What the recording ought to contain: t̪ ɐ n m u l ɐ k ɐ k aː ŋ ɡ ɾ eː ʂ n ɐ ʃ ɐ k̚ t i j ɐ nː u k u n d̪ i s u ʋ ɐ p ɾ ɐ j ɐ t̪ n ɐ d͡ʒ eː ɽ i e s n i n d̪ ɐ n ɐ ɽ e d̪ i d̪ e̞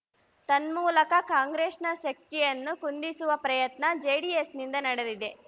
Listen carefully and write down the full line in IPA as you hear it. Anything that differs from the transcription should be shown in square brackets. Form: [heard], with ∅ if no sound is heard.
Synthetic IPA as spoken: t̪ ɐ n m [uː] l ɐ k ɐ k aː ŋ ɡ ɾ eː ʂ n ɐ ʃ ɐ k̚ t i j ɐ nː u k u n d̪ i s u ʋ ɐ p ɾ ɐ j ɐ t̪ n ɐ d͡ʒ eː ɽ i e s n i n d̪ ɐ n ɐ ɽ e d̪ i d̪ e̞